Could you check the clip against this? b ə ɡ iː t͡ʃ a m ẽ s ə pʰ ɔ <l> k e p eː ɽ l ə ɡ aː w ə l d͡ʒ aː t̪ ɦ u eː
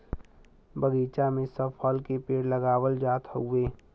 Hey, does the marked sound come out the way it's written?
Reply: yes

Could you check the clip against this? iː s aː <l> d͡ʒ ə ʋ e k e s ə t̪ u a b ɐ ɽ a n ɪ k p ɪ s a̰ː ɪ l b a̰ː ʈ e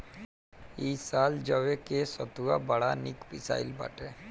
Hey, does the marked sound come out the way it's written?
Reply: yes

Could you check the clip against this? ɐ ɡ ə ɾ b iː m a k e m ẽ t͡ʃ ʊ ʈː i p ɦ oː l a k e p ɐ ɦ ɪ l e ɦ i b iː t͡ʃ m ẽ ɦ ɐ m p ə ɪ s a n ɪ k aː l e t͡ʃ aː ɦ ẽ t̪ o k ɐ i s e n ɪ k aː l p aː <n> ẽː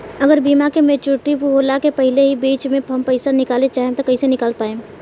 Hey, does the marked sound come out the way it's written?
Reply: no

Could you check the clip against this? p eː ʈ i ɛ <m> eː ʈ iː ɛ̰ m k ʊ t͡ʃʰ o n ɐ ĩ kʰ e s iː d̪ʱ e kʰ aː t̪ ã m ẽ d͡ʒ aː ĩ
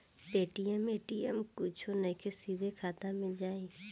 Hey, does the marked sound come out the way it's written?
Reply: yes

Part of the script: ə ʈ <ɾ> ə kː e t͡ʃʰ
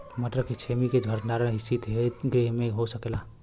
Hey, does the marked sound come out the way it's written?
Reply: yes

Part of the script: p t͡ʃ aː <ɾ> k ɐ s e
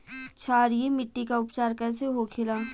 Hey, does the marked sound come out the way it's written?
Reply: yes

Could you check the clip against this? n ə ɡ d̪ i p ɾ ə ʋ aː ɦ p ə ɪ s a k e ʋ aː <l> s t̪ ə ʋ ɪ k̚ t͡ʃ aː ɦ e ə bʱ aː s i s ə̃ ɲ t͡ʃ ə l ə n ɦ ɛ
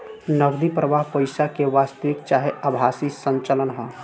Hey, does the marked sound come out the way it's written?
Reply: no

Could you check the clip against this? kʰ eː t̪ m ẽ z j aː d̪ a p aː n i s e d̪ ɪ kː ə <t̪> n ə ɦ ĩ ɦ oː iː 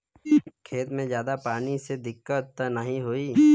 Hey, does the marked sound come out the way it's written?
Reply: yes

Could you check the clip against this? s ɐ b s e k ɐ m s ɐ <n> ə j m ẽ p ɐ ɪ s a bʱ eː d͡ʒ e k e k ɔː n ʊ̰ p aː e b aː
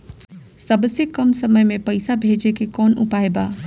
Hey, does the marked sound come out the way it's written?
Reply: no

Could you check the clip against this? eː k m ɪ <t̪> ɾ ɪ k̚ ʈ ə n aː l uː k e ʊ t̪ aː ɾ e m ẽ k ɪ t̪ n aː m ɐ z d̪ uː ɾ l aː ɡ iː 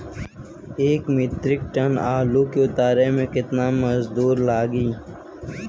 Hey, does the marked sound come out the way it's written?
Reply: yes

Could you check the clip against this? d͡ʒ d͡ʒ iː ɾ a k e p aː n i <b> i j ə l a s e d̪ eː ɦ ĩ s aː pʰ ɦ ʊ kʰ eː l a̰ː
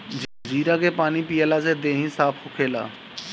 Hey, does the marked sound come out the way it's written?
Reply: no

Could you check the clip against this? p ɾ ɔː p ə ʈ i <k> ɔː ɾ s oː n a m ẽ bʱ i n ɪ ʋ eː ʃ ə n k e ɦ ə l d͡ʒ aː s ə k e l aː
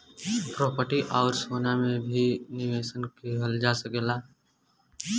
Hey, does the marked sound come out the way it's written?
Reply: no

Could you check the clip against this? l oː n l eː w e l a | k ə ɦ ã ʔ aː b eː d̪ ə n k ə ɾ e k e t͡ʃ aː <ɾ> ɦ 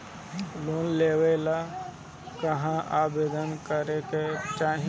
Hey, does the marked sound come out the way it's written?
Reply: no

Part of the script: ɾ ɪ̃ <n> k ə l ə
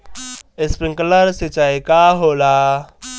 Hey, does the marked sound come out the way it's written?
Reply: no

